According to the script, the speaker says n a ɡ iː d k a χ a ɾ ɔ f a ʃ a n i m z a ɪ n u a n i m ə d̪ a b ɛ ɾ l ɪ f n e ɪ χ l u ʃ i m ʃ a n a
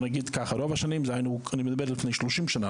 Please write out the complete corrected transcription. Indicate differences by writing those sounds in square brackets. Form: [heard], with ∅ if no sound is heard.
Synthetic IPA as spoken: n a ɡ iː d k a χ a ɾ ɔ [v] a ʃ a n i m z a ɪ n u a n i m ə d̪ a b ɛ ɾ l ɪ f n e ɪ [ʃ] l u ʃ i m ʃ a n a